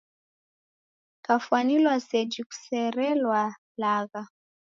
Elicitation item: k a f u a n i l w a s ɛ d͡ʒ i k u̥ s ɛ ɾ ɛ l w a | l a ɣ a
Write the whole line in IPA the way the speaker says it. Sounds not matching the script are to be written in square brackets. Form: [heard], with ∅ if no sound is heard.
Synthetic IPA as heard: k a f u a n i l w a s ɛ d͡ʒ i k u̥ s ɛ ɾ ɛ l w a | l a ɣ a